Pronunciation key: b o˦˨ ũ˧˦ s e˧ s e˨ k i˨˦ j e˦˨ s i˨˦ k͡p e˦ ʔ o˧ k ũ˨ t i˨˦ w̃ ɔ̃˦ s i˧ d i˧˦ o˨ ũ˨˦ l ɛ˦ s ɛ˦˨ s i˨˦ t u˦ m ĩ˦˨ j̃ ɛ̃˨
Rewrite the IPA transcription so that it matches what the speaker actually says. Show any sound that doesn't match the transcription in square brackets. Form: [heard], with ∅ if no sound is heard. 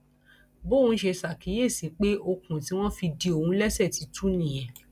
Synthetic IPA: b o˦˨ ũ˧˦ [ʃ] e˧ s [a˨] k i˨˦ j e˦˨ s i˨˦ k͡p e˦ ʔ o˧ k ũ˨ t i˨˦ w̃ ɔ̃˦ [f] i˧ d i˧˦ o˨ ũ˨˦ l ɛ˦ s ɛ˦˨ [t] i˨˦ t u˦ [n] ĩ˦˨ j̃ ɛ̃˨